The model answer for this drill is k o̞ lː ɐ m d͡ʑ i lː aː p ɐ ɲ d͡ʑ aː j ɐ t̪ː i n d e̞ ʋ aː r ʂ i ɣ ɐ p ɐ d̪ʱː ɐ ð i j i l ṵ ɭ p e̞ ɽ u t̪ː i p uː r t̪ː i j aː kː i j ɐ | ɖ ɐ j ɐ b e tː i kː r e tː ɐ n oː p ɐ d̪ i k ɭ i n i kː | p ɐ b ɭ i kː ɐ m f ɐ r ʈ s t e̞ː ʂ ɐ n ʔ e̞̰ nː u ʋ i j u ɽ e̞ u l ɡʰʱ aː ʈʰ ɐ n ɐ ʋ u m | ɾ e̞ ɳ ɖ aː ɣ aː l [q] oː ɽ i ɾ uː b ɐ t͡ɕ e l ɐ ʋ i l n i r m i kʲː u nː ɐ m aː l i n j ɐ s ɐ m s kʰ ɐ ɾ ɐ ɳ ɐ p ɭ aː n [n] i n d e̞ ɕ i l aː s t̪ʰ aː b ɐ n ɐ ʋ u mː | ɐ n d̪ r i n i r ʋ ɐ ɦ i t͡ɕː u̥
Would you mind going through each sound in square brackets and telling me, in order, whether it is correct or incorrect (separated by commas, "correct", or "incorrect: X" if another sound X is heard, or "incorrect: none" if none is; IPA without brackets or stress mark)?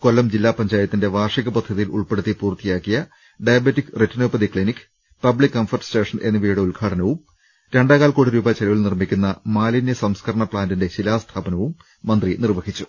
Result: incorrect: k, incorrect: d